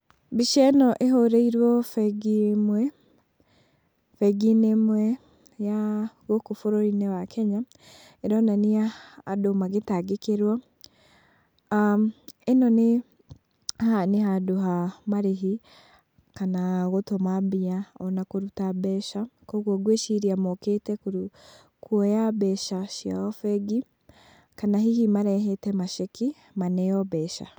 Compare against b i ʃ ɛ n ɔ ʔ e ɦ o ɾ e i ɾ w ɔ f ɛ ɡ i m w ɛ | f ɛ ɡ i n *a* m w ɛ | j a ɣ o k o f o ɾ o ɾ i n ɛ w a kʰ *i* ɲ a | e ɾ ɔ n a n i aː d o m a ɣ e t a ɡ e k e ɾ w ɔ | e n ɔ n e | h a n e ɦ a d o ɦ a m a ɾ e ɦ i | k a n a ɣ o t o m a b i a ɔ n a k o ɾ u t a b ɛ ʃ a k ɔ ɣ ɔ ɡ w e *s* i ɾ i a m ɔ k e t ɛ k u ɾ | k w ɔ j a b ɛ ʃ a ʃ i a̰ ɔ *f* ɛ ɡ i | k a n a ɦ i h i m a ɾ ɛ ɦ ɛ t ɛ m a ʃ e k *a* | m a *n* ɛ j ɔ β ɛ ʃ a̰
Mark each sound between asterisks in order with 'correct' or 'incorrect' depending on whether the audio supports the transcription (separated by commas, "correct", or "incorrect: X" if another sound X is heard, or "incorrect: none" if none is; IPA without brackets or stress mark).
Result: incorrect: e, incorrect: ɛ, incorrect: ʃ, correct, incorrect: i, correct